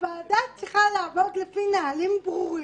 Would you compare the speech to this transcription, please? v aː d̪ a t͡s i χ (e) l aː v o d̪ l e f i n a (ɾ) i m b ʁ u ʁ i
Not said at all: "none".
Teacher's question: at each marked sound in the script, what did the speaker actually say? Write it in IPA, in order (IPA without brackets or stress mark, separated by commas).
a, l